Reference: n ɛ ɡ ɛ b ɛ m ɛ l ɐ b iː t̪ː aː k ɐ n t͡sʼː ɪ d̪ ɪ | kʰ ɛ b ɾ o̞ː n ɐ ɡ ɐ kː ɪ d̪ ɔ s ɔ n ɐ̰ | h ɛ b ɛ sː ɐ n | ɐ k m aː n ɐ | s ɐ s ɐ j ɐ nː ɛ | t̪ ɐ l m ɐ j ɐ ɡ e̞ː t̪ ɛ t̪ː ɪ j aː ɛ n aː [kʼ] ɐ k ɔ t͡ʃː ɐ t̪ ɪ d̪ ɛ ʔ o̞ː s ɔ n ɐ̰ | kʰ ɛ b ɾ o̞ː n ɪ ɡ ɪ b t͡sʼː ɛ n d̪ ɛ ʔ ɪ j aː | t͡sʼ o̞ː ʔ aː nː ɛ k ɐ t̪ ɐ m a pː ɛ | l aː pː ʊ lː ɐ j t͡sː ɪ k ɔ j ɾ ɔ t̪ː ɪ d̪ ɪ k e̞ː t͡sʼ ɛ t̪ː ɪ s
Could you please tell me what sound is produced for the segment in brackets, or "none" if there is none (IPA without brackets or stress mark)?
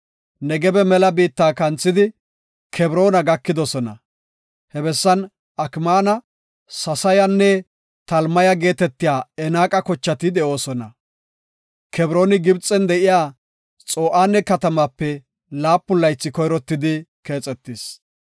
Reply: kʼ